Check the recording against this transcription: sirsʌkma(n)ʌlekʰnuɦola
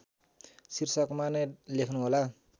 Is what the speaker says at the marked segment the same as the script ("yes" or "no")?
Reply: yes